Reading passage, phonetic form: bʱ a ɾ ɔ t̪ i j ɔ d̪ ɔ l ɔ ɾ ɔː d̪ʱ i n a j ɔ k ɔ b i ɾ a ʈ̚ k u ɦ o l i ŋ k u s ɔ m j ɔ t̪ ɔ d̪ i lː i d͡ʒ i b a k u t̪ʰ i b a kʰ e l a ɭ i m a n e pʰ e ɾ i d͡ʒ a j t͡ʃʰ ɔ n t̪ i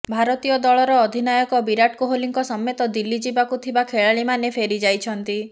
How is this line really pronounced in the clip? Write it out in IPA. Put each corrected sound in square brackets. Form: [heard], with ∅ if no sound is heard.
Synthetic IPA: bʱ a ɾ ɔ t̪ i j ɔ d̪ ɔ [ɭ] ɔ ɾ ɔː d̪ʱ i n a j ɔ k ɔ b i ɾ a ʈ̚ k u ɦ o l i ŋ k [ɔ] s ɔ m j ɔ t̪ ɔ d̪ i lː i d͡ʒ i b a k u t̪ʰ i b a kʰ e [ɭ] a ɭ i m a n e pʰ e ɾ i d͡ʒ a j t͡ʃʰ ɔ n t̪ i

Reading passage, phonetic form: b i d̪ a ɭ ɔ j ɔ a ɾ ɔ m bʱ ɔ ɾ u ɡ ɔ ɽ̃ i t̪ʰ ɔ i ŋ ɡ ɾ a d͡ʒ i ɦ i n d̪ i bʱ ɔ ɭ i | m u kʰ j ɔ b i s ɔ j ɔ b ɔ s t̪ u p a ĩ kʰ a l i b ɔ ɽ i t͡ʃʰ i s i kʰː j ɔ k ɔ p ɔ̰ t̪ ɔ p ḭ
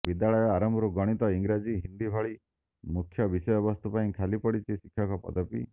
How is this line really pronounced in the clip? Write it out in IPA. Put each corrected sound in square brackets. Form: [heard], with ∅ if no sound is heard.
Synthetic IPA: b i d̪ a ɭ ɔ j ɔ a ɾ ɔ m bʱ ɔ ɾ u ɡ ɔ ɽ̃ i [t̪] ɔ i ŋ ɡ ɾ a d͡ʒ i ɦ i n d̪ i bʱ ɔ ɭ i | m u kʰ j ɔ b i s ɔ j ɔ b ɔ s t̪ u p a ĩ kʰ a l i [p] ɔ ɽ i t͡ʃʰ i s i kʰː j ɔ k ɔ p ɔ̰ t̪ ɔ p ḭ

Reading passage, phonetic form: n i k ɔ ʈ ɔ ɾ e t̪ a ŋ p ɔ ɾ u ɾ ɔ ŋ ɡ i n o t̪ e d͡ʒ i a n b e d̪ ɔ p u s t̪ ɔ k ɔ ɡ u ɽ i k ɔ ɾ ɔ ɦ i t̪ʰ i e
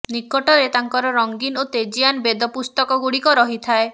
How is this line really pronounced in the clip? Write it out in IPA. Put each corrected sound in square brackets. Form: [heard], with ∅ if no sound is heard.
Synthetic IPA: n i k ɔ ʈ ɔ ɾ e t̪ a ŋ [k] ɔ ɾ [ɔ] ɾ ɔ ŋ ɡ i n o t̪ e d͡ʒ i a n b e d̪ ɔ p u s t̪ ɔ k ɔ ɡ u ɽ i k ɔ ɾ ɔ ɦ i t̪ʰ [a] e

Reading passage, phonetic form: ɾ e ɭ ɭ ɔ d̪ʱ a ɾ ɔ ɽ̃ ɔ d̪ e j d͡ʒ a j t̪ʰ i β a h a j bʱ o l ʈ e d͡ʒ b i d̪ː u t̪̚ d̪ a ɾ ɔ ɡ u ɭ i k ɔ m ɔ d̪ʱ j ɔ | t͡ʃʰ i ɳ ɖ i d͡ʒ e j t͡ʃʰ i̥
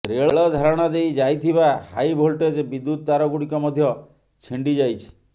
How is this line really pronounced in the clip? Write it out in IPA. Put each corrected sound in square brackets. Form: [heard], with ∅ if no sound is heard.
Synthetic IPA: ɾ e ɭ ɭ ɔ d̪ʱ a ɾ ɔ ɽ̃ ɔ d̪ e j d͡ʒ a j t̪ʰ i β a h a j bʱ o l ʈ e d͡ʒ b i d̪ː u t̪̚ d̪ a ɾ ɔ ɡ u [ɽ] i k ɔ m ɔ d̪ʱ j ɔ | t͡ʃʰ i ɳ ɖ i d͡ʒ [a] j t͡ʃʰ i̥

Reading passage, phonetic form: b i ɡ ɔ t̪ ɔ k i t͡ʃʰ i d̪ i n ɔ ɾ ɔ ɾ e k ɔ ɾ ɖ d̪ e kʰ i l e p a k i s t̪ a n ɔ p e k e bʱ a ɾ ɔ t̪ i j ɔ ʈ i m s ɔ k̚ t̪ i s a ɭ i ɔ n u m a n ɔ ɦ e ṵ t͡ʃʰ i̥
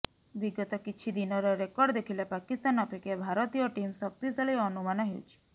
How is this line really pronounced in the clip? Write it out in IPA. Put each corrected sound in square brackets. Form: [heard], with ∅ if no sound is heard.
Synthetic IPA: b i ɡ ɔ t̪ ɔ k i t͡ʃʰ i d̪ i n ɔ ɾ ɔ ɾ e k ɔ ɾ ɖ d̪ e kʰ i l e p a k i s t̪ a n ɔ p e k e bʱ a ɾ ɔ t̪ i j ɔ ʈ i m s ɔ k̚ t̪ i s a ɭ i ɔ n u m a n ɔ ɦ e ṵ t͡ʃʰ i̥

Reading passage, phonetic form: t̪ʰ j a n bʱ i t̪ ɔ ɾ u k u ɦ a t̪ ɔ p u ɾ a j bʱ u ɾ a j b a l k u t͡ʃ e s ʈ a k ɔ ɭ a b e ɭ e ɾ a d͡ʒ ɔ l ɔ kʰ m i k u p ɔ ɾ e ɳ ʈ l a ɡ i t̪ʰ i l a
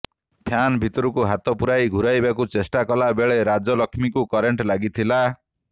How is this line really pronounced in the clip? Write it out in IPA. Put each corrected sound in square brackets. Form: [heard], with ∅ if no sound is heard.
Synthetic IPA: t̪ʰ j a n bʱ i t̪ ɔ ɾ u k u ɦ a t̪ ɔ p u ɾ a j [ɡʱ] u ɾ a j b a [∅] k u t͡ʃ e s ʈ a k ɔ [l] a b e ɭ e ɾ a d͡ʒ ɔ l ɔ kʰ m i k u [k] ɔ ɾ e ɳ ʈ l a ɡ i t̪ʰ i l a

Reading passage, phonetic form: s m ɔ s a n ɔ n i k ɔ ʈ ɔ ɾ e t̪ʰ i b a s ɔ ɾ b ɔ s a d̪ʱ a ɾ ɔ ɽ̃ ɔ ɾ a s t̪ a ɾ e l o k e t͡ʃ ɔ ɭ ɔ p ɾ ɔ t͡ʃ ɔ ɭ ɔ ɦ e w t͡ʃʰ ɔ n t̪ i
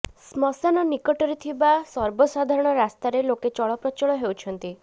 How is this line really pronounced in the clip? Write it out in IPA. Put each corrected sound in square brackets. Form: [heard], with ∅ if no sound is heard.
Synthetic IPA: s m ɔ s a n ɔ n i k ɔ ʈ ɔ ɾ e t̪ʰ i b a s ɔ ɾ b ɔ s a d̪ʱ a ɾ ɔ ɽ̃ ɔ ɾ a s t̪ a ɾ e l o k e t͡ʃ ɔ ɭ ɔ p ɾ ɔ t͡ʃ ɔ ɭ ɔ ɦ e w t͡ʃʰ ɔ n t̪ i

